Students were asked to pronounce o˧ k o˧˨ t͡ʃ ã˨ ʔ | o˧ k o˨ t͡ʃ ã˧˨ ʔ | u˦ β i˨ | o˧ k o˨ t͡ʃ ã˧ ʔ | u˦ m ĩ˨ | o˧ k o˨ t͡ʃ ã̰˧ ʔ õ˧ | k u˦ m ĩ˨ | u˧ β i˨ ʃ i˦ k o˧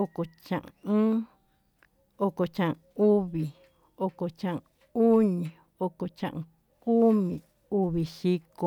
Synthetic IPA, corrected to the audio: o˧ k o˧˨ t͡ʃ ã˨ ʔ | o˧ k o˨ t͡ʃ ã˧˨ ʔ | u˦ β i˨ | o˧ k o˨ t͡ʃ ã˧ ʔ | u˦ ɲ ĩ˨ | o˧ k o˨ t͡ʃ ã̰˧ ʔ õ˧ | k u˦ m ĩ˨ | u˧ β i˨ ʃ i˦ k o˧